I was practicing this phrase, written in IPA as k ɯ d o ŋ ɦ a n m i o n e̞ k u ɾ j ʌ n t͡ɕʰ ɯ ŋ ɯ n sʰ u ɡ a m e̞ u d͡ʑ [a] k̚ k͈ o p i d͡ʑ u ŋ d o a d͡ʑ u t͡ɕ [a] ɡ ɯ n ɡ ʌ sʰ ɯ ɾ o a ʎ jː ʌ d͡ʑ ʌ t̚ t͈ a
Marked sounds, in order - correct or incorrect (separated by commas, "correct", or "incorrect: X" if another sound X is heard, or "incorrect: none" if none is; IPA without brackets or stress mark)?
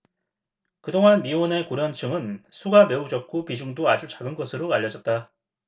incorrect: ʌ, correct